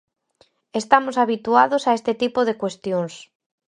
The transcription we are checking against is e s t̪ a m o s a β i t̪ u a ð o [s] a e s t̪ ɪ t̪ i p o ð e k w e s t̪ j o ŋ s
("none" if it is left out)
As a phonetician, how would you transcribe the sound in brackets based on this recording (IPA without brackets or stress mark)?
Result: s